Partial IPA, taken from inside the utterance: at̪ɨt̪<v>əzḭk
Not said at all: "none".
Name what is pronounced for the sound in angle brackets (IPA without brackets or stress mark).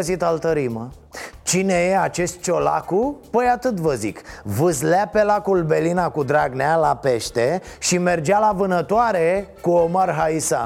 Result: v